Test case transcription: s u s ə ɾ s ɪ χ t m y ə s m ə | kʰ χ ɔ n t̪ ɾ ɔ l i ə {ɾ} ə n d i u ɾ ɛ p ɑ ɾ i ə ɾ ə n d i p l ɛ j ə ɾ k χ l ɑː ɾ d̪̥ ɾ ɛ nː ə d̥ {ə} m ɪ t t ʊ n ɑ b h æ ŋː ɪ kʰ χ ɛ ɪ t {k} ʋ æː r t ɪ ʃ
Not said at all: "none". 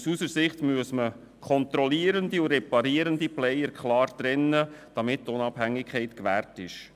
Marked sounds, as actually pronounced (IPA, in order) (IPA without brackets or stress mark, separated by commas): ɾ, ɑ, k